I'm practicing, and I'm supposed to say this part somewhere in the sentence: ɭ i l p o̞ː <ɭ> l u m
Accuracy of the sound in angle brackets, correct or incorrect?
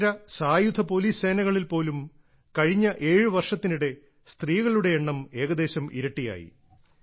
incorrect: none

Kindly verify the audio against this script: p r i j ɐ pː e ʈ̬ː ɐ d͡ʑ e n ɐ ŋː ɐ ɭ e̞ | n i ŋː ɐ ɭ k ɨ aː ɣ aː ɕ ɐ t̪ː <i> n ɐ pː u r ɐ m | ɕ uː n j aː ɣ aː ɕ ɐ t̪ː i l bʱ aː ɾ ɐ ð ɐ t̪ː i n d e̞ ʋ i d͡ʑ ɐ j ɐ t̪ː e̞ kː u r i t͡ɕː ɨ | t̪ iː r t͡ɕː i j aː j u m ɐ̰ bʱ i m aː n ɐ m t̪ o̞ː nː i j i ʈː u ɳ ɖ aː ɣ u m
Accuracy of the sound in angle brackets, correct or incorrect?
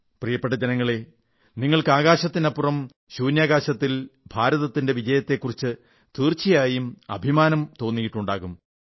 correct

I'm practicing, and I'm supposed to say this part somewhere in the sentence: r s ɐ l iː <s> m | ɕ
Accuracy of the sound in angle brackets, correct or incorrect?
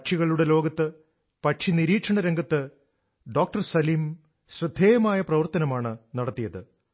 incorrect: none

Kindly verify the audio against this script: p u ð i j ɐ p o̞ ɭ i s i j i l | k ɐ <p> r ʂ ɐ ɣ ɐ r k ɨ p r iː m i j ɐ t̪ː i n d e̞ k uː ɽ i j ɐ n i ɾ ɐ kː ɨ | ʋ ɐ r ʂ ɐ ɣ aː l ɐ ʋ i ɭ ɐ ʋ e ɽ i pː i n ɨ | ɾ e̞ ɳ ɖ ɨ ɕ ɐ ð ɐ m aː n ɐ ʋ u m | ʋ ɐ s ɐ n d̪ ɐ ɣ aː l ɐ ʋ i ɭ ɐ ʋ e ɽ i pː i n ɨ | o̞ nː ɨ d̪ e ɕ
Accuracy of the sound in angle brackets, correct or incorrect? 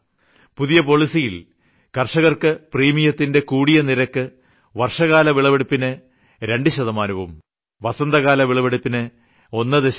incorrect: none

